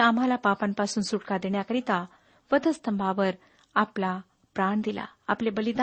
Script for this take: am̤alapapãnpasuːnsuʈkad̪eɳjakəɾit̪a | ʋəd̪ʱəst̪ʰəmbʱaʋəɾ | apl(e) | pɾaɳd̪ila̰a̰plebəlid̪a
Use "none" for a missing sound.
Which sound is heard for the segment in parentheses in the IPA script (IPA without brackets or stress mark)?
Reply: a